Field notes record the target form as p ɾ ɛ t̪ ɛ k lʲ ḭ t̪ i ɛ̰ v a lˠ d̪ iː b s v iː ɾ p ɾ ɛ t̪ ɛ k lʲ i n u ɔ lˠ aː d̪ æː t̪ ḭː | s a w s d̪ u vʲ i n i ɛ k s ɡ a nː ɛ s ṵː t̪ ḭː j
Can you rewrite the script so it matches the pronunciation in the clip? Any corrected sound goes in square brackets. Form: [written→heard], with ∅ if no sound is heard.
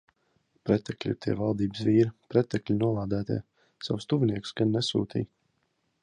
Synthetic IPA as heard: p ɾ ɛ t̪ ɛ k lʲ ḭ t̪ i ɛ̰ v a lˠ d̪ iː b s v iː ɾ p ɾ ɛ t̪ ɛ k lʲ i n u ɔ lˠ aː d̪ æː t̪ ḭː | s a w s [d̪→t̪] u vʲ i n i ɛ k s ɡ a nː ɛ s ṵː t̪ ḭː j